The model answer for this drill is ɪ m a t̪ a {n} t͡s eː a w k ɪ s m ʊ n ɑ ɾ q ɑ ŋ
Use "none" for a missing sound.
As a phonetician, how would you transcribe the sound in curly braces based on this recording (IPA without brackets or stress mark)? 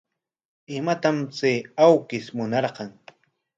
m